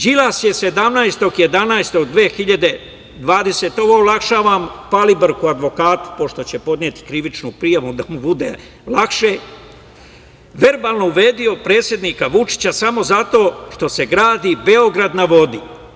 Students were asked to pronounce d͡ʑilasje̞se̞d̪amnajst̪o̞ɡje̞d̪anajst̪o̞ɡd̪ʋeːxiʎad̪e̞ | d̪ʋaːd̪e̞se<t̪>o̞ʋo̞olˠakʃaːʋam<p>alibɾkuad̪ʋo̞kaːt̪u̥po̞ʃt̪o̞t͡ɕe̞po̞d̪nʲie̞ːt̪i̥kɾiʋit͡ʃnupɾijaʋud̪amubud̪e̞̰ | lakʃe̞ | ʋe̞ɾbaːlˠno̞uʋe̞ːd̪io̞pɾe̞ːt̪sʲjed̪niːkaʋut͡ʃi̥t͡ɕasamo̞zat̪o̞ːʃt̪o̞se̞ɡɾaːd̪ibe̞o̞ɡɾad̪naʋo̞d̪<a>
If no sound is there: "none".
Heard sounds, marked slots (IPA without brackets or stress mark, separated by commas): t̪, p, i